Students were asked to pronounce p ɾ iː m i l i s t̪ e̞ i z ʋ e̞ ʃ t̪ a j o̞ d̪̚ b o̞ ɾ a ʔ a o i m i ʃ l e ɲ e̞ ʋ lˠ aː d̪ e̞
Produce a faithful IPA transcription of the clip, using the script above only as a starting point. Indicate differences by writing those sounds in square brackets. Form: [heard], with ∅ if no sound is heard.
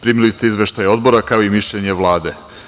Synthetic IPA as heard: p ɾ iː m i l i s t̪ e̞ i z ʋ e̞ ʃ t̪ a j o̞ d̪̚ b o̞ ɾ a [k] a o i m i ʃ [ʎ] e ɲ e̞ ʋ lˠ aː d̪ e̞